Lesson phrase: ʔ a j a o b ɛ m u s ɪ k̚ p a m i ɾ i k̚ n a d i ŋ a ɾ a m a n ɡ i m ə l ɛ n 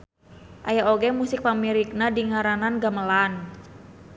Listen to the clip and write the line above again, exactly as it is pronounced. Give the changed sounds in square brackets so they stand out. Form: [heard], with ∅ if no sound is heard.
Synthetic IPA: ʔ a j a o [ɡ] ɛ m u s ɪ k̚ p a m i ɾ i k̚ n a d i ŋ a ɾ a [n] a n ɡ [a] m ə l [a] n